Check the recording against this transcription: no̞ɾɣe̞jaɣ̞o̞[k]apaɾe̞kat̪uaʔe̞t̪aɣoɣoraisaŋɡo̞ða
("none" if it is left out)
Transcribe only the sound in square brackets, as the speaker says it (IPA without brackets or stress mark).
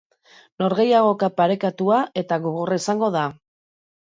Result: k